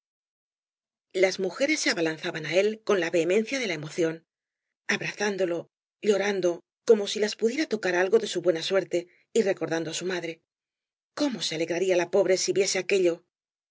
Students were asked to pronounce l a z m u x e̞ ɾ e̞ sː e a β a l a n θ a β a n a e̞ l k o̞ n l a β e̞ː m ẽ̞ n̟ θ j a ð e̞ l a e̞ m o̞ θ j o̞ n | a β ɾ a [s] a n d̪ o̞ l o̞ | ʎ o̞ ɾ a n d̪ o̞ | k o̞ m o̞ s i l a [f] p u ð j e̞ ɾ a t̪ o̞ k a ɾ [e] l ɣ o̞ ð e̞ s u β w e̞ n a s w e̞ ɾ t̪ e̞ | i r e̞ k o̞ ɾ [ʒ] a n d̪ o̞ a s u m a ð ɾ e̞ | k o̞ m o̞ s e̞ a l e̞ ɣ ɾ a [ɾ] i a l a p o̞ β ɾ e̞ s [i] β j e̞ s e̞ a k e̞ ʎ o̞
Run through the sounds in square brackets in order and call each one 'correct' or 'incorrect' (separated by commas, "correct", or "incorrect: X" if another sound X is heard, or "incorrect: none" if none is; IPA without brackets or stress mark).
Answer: incorrect: θ, incorrect: s, incorrect: a, incorrect: ð, correct, correct